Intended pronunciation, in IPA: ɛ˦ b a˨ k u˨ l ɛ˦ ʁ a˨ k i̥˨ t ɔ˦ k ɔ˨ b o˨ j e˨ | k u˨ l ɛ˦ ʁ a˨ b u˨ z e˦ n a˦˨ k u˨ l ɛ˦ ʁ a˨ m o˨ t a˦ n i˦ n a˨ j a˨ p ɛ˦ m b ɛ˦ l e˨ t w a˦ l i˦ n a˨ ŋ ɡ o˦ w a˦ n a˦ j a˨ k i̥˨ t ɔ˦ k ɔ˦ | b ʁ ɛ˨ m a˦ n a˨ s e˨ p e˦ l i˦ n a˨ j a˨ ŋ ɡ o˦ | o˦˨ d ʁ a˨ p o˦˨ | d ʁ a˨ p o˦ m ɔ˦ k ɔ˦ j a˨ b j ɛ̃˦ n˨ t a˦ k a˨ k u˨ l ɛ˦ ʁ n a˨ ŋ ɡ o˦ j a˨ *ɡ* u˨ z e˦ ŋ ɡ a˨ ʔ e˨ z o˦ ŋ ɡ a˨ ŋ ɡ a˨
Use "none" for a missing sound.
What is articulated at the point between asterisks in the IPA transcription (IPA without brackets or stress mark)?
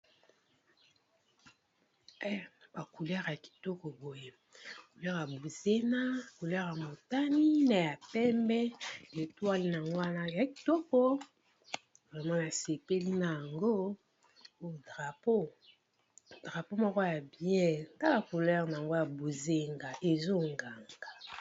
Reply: b